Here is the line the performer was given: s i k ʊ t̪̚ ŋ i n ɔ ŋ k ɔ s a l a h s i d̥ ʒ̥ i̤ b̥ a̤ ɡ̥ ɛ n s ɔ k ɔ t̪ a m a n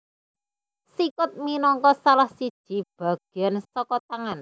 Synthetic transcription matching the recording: s i k ʊ t̪̚ m i n ɔ ŋ k ɔ s a l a h s i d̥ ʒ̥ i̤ b̥ a̤ ɡ̥ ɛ n s ɔ k ɔ t̪ a ŋ a n